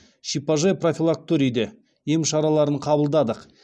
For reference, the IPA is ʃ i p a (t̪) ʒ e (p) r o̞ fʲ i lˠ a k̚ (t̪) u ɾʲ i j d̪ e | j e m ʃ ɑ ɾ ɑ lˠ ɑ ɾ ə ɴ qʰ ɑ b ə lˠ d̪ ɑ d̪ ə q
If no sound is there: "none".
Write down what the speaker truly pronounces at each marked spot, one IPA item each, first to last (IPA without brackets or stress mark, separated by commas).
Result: none, p, t̪